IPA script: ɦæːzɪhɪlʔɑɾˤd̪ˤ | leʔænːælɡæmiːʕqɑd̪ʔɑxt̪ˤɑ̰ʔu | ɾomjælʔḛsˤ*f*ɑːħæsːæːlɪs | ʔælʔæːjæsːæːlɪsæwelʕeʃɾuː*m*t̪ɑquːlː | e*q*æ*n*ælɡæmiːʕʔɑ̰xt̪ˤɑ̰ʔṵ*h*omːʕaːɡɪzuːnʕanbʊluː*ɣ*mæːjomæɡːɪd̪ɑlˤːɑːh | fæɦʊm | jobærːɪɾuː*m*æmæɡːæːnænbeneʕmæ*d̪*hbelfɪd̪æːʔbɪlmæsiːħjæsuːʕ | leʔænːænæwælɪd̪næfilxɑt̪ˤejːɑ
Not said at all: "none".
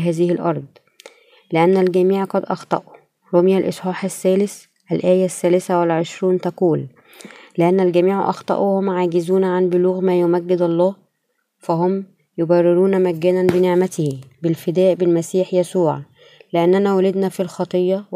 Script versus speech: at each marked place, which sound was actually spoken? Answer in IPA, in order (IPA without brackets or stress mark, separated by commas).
ħ, n, ʔ, nː, h, ɣ, n, t̪